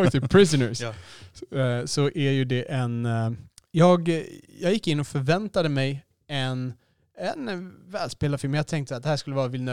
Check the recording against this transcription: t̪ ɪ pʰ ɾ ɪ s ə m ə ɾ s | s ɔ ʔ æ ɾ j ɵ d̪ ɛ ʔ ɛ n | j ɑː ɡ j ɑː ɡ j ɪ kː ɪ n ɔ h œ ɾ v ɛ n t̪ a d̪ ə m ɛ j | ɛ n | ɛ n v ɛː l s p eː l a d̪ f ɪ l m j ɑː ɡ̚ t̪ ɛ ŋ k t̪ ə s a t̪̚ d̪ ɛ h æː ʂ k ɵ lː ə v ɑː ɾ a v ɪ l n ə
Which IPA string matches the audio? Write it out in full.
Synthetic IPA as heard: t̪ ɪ pʰ ɾ ɪ s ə n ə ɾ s | s ɔ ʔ æ ɾ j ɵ d̪ ɛ ʔ ɛ n | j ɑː ɡ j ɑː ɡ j ɪ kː ɪ nː ɔ f œ ɾ v ɛ n t̪ a d̪ ə m ɛ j | ɛ n | ɛ n v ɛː l s p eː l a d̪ f ɪ l m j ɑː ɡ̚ t̪ʰ ɛ ŋ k t̪ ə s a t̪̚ d̪ ɛ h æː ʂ k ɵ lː ə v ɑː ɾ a v ɪ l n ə